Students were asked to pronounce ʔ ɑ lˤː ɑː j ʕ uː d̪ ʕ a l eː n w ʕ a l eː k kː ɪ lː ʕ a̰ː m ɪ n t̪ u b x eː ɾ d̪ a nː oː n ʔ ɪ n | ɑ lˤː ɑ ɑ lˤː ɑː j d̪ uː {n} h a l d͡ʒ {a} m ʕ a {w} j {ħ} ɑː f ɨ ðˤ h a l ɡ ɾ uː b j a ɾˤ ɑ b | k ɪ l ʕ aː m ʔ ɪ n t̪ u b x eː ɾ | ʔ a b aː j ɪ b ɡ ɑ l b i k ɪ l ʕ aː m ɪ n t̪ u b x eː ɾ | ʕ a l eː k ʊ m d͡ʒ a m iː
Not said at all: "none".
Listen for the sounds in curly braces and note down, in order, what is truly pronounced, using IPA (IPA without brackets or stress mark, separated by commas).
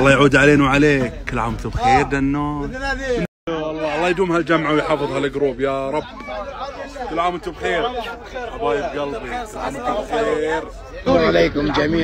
m, a, w, ħ